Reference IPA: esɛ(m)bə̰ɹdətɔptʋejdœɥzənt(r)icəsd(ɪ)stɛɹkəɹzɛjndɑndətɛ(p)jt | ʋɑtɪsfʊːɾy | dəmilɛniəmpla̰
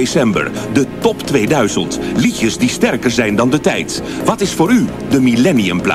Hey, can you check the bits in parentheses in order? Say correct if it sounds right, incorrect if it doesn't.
correct, incorrect: l, incorrect: i, incorrect: none

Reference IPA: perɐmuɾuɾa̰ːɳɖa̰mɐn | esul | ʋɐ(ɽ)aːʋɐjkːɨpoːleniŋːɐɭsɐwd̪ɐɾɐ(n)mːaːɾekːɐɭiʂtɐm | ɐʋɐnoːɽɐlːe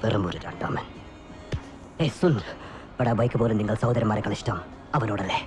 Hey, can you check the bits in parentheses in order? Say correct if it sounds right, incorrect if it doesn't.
correct, incorrect: none

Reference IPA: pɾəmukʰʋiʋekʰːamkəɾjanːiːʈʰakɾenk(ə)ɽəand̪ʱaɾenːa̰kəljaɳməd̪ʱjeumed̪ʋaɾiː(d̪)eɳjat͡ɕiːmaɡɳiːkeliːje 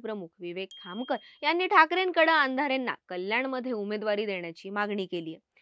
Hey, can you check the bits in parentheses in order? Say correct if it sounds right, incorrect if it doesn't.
correct, correct

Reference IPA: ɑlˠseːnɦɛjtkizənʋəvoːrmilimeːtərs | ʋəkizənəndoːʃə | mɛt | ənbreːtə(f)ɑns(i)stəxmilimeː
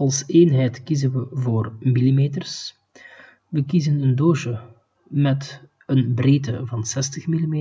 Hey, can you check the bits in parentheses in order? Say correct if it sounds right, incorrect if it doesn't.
incorrect: v, incorrect: ɛ

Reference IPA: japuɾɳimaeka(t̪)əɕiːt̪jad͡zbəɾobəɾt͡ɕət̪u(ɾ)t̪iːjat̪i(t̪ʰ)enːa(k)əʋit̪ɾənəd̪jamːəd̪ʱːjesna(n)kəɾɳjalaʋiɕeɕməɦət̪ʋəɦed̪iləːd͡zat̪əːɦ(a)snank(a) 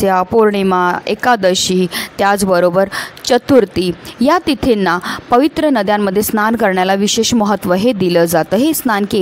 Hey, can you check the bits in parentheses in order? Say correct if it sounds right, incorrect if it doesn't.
incorrect: d̪, correct, correct, incorrect: p, correct, incorrect: e, incorrect: e

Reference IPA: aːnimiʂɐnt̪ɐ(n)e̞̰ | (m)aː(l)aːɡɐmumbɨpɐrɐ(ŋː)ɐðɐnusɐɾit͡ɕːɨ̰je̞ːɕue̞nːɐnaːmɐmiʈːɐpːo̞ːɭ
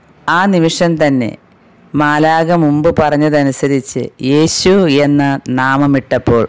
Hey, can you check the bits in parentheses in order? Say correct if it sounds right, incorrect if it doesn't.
incorrect: nː, correct, correct, incorrect: ɲː

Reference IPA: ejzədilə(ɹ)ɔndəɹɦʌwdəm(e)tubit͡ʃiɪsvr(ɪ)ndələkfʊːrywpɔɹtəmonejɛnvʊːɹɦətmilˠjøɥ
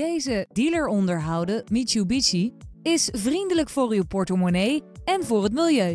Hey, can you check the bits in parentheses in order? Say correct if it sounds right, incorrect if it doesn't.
correct, incorrect: i, incorrect: i

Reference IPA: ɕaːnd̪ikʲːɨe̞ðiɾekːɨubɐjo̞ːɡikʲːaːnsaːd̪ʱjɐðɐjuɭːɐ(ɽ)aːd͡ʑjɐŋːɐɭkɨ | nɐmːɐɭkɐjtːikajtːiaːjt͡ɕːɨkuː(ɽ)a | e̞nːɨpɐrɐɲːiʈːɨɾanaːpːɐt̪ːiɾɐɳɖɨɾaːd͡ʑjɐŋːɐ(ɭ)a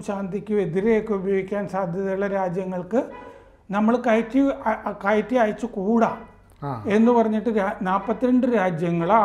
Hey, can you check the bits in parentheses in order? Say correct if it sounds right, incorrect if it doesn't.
incorrect: ɾ, correct, correct

